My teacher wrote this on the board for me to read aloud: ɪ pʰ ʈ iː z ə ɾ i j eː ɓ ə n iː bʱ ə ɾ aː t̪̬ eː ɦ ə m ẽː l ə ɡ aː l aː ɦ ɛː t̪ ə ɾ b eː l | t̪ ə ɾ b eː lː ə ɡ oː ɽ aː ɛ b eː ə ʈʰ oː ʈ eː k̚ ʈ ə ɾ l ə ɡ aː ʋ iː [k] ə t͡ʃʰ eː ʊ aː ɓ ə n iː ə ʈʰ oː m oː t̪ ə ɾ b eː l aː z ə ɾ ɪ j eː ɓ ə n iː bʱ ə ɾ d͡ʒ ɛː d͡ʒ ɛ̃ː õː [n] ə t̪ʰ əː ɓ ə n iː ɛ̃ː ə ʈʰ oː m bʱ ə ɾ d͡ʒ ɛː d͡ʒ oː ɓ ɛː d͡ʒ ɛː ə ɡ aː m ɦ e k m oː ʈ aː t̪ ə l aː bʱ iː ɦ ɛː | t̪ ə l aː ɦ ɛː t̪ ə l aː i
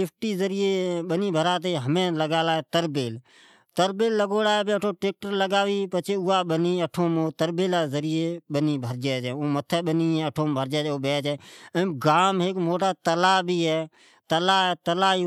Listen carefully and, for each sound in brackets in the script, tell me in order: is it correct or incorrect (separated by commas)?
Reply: incorrect, incorrect